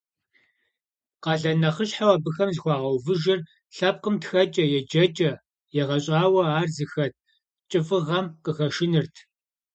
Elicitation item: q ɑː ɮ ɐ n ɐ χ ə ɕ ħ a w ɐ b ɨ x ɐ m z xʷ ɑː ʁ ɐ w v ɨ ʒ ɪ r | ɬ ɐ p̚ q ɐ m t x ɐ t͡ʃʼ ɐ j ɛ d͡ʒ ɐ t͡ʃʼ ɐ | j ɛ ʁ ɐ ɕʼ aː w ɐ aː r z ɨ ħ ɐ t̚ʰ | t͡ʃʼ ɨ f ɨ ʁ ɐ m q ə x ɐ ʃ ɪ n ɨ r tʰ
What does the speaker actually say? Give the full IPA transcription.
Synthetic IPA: q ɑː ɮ ɐ n ɐ χ ə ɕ ħ a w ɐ b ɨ x ɐ m z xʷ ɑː ʁ ɐ w v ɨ ʒ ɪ r | ɬ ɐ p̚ q ə m t x ɐ t͡ʃʼ ɐ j ɛ d͡ʒ ɐ t͡ʃʼ ɐ | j ɛ ʁ ɐ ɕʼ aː w ɐ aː r z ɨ x ɐ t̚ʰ | t͡ʃʼ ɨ f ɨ ʁ ɐ m q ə x ɐ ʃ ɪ n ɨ r tʰ